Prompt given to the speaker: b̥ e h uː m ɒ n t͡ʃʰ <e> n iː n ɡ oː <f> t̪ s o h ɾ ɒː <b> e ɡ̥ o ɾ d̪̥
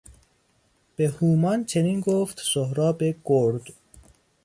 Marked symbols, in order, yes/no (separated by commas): yes, yes, yes